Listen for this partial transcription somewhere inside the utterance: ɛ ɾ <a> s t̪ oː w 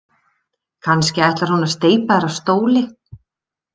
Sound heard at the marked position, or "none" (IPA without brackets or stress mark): a